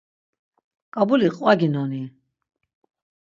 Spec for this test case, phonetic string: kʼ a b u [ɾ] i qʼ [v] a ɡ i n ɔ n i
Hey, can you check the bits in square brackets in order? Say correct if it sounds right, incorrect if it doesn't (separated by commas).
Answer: incorrect, incorrect